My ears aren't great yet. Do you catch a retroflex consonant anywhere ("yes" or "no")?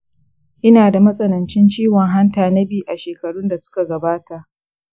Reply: yes